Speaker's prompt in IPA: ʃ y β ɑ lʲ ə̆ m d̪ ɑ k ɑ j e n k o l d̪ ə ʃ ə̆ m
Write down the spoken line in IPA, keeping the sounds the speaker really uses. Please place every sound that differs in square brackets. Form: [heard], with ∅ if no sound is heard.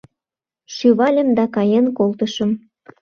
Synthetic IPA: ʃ y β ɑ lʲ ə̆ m d̪ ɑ k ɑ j e n k o l [t̪] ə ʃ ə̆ m